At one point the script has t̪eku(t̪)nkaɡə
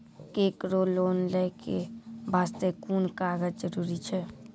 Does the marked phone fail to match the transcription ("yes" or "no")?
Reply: yes